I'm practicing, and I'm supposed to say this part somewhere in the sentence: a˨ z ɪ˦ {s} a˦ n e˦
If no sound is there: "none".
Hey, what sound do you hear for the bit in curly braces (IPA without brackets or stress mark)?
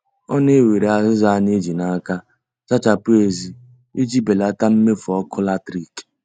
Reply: z